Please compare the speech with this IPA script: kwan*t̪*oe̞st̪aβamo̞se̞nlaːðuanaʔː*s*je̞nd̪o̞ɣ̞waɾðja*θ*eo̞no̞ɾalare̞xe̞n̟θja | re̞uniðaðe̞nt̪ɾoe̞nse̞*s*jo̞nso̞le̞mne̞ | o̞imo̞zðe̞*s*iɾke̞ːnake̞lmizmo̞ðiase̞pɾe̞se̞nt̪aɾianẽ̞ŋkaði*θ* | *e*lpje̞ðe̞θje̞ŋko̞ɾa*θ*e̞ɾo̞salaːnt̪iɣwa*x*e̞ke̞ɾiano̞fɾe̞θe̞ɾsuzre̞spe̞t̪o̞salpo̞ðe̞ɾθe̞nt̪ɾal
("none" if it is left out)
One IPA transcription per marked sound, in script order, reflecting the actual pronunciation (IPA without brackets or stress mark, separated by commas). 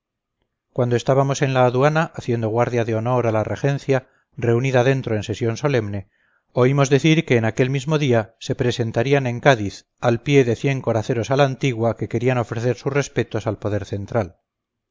d̪, θ, ð, s, θ, θ, a, θ, k